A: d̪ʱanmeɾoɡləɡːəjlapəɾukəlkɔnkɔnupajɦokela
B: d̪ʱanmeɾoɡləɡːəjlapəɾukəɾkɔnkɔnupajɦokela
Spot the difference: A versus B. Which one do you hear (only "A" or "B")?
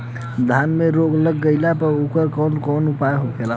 B